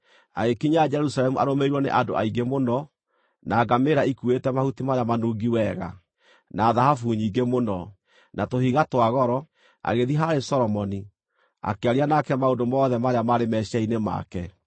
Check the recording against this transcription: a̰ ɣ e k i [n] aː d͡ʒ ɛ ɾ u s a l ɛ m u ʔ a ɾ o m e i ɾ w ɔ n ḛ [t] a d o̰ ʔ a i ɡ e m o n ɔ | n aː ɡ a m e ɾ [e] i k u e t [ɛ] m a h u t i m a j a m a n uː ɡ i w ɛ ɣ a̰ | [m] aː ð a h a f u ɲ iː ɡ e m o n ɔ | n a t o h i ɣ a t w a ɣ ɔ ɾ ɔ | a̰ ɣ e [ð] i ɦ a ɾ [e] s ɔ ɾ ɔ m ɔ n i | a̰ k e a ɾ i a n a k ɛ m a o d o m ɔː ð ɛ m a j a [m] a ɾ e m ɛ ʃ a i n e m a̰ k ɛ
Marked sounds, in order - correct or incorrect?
incorrect, incorrect, incorrect, correct, incorrect, correct, correct, correct

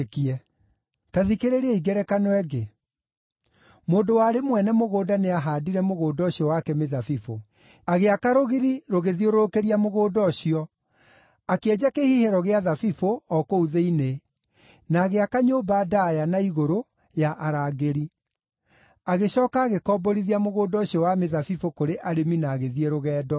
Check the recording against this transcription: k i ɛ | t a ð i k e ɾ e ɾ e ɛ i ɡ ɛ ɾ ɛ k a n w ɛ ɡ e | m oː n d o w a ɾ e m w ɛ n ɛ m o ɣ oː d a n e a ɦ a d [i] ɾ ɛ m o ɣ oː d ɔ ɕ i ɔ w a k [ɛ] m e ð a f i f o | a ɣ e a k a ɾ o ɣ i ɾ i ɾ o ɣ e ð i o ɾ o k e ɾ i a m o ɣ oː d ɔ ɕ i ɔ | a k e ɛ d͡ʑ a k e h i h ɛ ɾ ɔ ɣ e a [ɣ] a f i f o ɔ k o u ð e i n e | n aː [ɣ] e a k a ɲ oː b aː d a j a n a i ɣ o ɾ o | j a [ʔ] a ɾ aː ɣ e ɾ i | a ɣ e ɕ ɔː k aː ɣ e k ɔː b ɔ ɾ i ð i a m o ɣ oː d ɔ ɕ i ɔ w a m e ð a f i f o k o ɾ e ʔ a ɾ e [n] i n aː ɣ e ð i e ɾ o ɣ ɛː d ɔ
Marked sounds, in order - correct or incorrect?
correct, correct, incorrect, correct, correct, incorrect

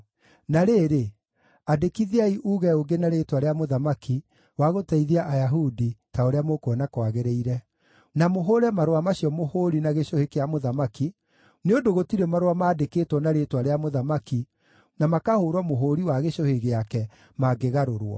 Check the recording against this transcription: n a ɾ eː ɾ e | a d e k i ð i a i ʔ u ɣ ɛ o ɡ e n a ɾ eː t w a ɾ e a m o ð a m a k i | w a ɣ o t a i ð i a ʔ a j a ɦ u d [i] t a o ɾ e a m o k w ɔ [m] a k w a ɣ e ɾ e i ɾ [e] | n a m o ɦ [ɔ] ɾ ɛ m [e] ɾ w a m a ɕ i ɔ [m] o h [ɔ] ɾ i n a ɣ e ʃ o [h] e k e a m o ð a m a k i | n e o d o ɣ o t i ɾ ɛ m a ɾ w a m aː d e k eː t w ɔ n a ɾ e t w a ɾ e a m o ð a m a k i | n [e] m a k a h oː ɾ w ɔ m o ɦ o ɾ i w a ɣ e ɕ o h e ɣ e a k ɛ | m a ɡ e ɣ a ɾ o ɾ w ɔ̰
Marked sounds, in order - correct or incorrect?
correct, incorrect, incorrect, incorrect, incorrect, correct, incorrect, correct, incorrect

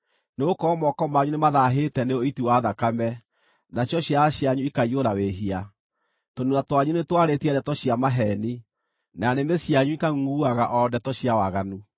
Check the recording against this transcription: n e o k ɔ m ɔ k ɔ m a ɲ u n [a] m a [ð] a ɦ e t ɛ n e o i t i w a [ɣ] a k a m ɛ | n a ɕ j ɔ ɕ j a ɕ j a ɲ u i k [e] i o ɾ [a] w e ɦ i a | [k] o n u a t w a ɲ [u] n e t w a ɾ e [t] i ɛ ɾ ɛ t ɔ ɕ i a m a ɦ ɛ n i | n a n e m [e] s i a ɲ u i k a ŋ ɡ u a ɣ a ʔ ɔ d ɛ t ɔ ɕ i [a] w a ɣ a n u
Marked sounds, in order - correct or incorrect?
incorrect, correct, incorrect, incorrect, correct, incorrect, correct, correct, correct, correct

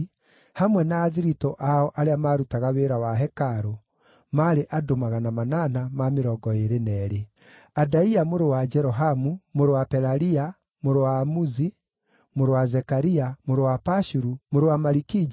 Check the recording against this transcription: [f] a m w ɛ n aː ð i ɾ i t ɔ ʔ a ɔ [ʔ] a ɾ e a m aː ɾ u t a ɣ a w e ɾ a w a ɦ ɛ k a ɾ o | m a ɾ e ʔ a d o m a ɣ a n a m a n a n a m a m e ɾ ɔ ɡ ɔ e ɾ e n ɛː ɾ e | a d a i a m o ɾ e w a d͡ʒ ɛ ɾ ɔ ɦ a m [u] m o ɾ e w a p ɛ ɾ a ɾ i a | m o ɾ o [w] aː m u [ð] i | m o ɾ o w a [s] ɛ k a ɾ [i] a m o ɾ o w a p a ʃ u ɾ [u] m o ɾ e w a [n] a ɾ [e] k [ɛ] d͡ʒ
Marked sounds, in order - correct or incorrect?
incorrect, correct, correct, correct, incorrect, incorrect, correct, correct, incorrect, incorrect, incorrect

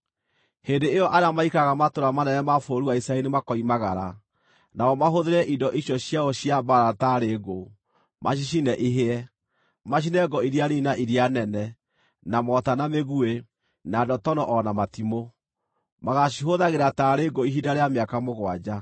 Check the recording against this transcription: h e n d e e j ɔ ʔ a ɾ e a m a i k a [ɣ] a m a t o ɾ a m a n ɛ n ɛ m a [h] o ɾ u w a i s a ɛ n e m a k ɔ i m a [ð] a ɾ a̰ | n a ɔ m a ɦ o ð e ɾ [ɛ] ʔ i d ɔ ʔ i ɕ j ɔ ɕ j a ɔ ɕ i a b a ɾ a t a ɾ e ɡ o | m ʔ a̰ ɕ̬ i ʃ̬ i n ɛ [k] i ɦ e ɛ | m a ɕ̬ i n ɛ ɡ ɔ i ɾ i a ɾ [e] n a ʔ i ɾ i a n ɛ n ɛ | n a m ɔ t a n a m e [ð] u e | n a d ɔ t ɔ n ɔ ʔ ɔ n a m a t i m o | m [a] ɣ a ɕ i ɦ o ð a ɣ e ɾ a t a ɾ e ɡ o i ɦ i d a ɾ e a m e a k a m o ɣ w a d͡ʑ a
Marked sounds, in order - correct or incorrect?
correct, incorrect, incorrect, correct, incorrect, incorrect, incorrect, correct

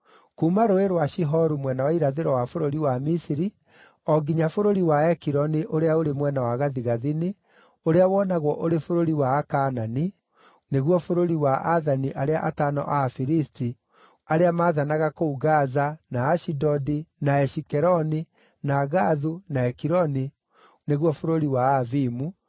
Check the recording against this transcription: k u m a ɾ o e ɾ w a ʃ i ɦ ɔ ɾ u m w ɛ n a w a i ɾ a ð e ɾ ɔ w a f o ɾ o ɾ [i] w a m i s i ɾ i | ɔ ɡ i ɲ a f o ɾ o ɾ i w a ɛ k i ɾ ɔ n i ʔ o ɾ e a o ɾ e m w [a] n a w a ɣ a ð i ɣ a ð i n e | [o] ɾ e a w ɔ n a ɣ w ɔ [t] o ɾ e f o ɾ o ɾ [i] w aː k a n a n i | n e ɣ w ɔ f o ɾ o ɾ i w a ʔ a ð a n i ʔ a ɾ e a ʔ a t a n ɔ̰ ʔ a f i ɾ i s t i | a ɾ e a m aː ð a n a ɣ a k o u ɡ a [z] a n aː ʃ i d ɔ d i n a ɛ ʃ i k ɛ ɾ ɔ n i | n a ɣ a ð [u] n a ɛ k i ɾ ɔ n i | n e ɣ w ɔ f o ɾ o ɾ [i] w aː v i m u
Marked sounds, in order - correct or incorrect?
correct, incorrect, correct, incorrect, correct, correct, correct, correct

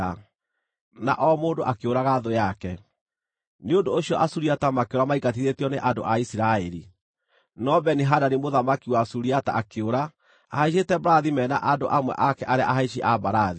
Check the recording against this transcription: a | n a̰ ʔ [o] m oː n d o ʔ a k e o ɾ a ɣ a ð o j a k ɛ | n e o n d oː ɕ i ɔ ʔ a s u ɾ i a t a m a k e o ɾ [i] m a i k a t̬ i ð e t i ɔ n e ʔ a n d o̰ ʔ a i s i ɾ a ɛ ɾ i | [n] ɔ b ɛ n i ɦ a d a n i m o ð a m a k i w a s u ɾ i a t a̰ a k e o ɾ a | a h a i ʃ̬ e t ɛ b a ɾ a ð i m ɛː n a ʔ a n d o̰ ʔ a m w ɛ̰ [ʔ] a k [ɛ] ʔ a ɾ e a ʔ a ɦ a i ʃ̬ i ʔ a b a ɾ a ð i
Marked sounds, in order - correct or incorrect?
incorrect, incorrect, correct, correct, correct

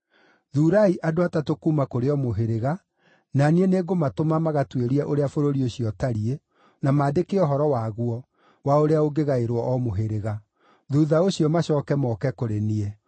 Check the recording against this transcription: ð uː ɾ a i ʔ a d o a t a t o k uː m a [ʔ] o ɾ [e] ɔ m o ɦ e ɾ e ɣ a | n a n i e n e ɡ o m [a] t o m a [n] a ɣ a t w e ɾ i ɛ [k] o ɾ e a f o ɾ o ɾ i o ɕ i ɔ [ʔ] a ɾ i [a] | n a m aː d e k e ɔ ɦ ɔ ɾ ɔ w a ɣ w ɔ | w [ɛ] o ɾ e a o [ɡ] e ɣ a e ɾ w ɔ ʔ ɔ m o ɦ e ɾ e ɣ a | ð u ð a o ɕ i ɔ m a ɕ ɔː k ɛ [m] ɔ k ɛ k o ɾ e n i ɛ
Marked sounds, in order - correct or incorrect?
incorrect, correct, correct, incorrect, incorrect, incorrect, incorrect, incorrect, correct, correct

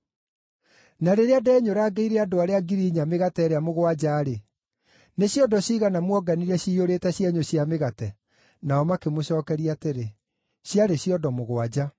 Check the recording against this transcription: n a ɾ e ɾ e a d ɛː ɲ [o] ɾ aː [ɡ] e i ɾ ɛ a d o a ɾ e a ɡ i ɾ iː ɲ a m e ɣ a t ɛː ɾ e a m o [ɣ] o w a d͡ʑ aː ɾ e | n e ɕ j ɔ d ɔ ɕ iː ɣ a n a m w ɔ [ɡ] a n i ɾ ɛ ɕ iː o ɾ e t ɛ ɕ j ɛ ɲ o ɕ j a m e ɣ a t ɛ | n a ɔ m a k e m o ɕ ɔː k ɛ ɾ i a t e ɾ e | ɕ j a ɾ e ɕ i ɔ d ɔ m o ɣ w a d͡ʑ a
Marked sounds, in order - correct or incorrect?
correct, correct, correct, correct

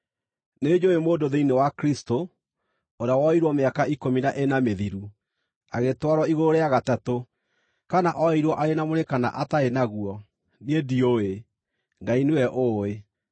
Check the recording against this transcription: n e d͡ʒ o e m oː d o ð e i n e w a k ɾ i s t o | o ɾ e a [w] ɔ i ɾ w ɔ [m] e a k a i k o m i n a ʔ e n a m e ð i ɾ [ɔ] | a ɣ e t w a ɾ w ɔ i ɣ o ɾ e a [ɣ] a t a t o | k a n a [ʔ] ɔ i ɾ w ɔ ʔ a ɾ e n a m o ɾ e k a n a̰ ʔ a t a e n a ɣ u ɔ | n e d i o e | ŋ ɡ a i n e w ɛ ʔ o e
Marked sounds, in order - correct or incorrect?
correct, correct, incorrect, correct, correct

